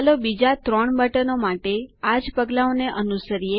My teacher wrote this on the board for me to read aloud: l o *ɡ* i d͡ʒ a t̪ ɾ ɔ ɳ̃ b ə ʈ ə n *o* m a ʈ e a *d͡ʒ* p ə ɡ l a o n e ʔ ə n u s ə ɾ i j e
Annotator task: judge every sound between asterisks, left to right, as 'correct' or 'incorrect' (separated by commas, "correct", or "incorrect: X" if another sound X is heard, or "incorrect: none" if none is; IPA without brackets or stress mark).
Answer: incorrect: b, correct, correct